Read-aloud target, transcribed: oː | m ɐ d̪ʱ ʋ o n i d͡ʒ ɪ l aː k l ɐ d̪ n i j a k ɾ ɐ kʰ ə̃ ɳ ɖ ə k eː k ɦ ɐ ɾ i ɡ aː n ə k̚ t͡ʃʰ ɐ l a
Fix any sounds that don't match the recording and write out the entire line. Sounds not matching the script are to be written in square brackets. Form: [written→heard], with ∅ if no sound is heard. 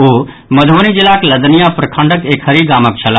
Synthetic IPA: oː | m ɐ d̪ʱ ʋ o n i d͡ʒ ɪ l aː k l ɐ d̪ n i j a [k→p] ɾ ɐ kʰ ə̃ ɳ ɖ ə k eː k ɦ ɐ ɾ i ɡ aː [n→m] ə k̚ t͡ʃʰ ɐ l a